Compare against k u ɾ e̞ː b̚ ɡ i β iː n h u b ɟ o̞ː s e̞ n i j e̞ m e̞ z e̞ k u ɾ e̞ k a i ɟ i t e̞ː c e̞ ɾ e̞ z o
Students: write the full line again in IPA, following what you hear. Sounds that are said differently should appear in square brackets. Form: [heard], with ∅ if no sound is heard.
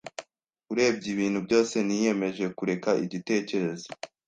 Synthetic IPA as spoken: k u ɾ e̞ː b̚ [ɟ] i β iː n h u b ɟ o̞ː s e̞ n i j e̞ m e̞ [ʒ] e̞ k u ɾ e̞ k a i ɟ i t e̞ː c e̞ ɾ e̞ z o